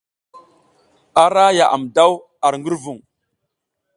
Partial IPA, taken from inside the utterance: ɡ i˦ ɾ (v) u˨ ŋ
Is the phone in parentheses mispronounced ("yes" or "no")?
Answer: no